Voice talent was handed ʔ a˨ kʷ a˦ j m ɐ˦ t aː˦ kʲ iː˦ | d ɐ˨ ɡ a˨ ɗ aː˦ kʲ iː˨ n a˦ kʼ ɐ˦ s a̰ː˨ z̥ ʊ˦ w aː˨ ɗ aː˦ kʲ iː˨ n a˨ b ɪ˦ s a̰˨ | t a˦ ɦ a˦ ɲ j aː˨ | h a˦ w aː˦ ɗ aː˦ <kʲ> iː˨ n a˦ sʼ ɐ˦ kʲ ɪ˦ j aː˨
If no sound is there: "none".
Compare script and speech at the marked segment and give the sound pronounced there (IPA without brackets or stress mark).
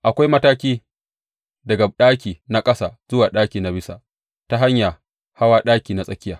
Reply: kʲ